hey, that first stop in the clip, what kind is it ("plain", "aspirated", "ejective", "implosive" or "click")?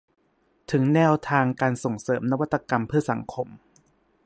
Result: aspirated